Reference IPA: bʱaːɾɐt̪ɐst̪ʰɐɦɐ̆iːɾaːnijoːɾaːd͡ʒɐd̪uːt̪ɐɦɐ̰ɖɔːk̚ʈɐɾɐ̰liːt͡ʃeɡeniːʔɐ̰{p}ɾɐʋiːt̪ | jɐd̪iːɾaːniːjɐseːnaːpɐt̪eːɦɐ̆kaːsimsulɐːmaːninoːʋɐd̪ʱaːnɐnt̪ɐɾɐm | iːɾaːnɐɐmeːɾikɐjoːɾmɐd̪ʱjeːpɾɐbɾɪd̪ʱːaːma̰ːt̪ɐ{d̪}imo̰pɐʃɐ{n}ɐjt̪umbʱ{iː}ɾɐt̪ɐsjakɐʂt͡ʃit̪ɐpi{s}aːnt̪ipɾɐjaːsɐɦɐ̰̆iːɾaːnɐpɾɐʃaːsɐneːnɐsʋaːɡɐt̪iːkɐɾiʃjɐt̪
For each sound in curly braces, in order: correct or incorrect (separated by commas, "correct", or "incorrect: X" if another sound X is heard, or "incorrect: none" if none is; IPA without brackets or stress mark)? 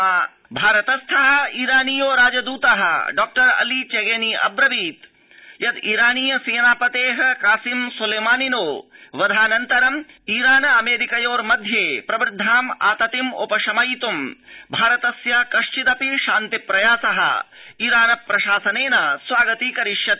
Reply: incorrect: b, incorrect: t̪, incorrect: m, incorrect: aː, incorrect: ʃ